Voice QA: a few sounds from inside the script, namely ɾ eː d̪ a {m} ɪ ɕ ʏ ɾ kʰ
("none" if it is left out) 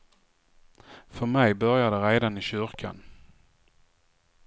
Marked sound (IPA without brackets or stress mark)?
n